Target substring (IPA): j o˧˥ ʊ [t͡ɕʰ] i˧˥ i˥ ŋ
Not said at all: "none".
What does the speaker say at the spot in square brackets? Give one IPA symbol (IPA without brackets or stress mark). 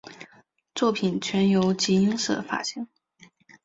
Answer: t͡ɕ